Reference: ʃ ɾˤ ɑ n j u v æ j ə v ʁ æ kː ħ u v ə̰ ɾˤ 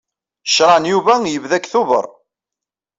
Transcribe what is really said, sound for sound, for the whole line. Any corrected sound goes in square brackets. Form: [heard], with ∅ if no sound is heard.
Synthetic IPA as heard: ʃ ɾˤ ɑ n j u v æ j ə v [ð] æ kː [θ] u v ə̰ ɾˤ